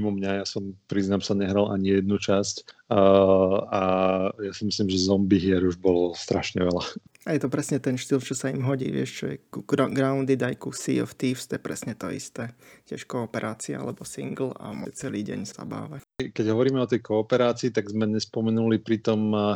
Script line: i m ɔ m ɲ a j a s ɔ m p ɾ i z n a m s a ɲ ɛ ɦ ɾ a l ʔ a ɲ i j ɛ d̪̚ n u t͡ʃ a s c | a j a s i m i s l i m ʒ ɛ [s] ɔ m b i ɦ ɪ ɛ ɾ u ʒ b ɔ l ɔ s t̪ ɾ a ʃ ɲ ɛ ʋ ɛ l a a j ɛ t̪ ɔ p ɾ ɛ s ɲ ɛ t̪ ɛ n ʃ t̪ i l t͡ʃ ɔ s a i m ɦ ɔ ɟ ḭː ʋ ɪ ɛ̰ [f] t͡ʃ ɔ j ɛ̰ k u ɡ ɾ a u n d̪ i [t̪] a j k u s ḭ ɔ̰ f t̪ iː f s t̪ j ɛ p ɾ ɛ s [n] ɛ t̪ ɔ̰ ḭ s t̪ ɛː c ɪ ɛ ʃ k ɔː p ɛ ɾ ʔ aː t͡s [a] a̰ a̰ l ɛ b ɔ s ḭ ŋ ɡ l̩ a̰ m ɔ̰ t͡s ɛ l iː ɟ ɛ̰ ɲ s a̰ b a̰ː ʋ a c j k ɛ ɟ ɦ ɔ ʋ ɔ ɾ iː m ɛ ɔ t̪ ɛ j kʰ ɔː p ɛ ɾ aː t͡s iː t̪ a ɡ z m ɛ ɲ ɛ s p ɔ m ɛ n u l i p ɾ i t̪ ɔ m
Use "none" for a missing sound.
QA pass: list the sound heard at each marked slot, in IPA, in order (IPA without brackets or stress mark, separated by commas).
z, ʃ, d̪, ɲ, i